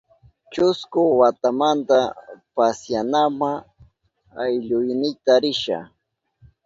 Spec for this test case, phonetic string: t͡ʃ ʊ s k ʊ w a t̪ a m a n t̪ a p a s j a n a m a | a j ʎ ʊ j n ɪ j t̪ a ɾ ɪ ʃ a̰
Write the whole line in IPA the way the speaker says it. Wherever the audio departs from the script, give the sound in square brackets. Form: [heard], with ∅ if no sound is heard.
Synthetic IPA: t͡ʃ ʊ s k ʊ w a t̪ a m a n t̪ a p a s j a n a m a | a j ʎ ʊ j n ɪ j t̪ a ɾ ɪ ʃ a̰